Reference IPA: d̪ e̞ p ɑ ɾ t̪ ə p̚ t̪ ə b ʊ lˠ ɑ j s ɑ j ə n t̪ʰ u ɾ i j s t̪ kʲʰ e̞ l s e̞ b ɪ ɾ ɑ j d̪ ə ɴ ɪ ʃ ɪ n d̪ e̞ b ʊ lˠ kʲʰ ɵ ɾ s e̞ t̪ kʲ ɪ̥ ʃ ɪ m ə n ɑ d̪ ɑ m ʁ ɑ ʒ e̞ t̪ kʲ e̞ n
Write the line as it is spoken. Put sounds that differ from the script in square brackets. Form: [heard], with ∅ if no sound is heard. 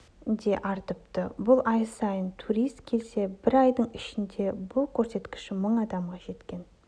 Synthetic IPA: d̪ e̞ [ʔ] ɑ ɾ t̪ ə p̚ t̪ ə b ʊ lˠ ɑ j s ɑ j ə n t̪ʰ u ɾ i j s t̪ kʲʰ e̞ l s e̞ b ɪ ɾ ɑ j d̪ ə ɴ ɪ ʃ ɪ n d̪ e̞ b ʊ lˠ kʲʰ ɵ ɾ s e̞ t̪ kʲ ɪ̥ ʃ ɪ m ə [ɴ] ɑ d̪ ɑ m ʁ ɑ ʒ e̞ t̪ kʲ e̞ n